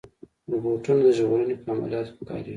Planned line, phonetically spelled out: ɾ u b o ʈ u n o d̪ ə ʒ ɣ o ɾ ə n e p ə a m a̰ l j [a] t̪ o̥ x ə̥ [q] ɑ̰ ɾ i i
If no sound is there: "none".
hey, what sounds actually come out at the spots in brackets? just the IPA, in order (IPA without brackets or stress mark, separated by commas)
ɑ, k